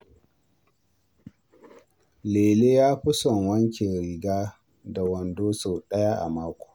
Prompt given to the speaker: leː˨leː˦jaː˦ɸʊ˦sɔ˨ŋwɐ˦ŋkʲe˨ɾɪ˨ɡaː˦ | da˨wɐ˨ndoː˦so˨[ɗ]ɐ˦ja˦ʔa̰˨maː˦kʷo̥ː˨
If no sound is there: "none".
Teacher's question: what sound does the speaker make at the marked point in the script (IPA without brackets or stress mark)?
ɗ